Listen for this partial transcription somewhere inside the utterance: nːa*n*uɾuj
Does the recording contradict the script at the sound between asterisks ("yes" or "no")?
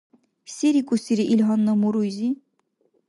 yes